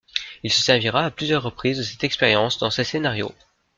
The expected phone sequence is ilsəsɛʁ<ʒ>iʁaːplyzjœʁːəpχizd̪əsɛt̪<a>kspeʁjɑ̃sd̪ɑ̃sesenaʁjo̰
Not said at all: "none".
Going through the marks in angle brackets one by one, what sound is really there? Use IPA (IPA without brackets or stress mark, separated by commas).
v, ɛ